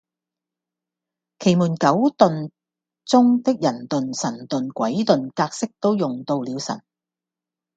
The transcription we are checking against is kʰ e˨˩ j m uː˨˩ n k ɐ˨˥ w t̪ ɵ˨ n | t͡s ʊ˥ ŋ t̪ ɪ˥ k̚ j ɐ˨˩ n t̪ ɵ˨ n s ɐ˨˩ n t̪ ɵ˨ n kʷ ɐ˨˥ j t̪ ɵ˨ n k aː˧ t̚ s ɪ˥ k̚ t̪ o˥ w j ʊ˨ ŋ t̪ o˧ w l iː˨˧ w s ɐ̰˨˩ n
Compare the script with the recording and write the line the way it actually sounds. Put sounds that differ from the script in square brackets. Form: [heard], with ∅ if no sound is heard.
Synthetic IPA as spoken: kʰ e˨˩ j m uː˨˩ n k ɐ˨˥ w t̪ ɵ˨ n | t͡s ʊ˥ ŋ t̪ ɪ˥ k̚ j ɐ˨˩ n t̪ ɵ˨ n s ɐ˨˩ n t̪ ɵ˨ n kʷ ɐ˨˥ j t̪ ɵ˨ n k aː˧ [k̚] s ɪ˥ k̚ t̪ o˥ w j ʊ˨ ŋ t̪ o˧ w l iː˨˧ w s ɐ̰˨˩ n